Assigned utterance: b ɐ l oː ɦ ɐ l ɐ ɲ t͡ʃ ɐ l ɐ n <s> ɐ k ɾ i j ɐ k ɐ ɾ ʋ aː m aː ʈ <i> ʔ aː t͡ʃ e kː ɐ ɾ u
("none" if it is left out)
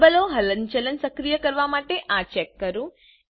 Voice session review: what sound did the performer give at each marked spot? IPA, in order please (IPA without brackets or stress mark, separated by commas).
s, e